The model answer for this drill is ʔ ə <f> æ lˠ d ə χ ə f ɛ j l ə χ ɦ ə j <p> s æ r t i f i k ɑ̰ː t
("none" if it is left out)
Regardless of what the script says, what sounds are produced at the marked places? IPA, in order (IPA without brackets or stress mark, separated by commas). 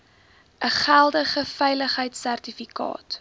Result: χ, t